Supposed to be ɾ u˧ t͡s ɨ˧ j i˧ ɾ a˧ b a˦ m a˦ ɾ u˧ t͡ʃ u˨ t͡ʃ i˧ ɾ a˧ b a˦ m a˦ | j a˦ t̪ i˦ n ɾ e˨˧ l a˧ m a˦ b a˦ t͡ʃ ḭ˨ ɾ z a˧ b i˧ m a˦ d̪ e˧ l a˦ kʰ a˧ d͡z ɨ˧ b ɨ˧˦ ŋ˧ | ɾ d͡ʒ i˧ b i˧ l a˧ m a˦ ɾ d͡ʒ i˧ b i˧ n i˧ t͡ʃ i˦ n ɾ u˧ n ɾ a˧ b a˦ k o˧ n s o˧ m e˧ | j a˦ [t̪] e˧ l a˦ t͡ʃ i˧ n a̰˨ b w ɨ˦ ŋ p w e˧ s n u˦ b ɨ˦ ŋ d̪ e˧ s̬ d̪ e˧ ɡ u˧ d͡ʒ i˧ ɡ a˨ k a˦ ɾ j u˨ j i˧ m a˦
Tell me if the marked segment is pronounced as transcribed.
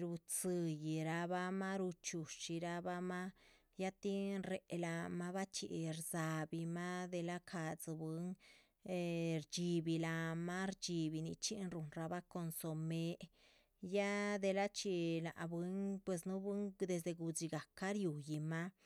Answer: no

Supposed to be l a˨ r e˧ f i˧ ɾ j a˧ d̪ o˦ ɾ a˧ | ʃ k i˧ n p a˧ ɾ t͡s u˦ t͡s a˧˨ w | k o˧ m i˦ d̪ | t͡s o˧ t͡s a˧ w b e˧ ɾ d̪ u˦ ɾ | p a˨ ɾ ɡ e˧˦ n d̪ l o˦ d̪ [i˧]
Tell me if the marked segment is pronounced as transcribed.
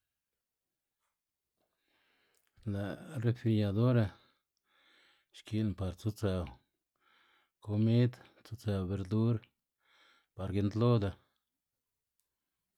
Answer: no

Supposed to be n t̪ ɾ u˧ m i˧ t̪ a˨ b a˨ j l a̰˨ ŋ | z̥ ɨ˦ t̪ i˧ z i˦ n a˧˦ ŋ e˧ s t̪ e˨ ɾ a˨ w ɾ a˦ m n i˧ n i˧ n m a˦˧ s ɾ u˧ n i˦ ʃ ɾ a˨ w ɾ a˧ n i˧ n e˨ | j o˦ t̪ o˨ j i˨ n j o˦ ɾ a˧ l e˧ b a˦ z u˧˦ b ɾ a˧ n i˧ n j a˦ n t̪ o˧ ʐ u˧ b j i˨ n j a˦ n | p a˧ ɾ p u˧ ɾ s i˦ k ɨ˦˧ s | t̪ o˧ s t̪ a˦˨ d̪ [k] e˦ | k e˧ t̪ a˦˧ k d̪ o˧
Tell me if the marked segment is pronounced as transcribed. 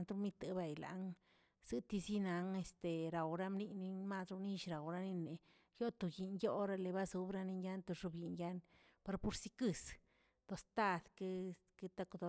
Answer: yes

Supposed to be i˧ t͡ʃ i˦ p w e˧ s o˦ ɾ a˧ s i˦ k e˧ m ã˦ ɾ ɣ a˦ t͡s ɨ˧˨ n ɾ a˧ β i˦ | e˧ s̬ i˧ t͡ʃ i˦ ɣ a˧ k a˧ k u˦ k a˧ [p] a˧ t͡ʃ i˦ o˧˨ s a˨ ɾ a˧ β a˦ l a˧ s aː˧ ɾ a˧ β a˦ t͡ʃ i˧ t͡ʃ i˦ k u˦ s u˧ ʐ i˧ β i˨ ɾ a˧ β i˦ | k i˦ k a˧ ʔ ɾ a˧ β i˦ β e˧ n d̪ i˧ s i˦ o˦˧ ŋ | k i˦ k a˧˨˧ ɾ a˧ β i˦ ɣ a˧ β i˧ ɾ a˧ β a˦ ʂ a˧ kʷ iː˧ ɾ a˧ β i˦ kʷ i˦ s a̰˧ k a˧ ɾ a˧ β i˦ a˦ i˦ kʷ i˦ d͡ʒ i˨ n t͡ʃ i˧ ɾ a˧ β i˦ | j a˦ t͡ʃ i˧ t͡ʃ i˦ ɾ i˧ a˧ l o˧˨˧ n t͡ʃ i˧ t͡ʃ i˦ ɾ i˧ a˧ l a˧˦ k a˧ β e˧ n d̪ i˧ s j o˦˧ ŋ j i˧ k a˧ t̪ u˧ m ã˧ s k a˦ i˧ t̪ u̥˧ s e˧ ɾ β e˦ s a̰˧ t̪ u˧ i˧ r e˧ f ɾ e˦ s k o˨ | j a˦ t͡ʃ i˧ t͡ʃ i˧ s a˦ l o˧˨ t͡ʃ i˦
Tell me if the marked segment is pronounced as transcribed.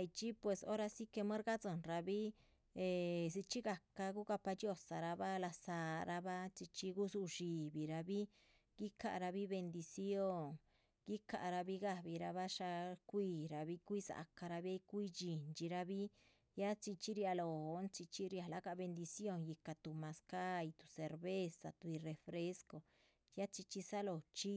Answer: yes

